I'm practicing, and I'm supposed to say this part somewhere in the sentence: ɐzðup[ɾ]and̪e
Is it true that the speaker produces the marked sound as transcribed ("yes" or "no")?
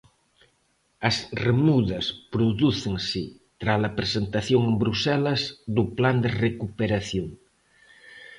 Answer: no